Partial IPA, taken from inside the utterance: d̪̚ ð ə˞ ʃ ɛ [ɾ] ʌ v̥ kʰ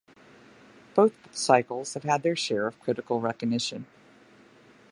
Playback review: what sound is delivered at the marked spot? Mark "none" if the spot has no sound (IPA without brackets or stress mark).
ɹ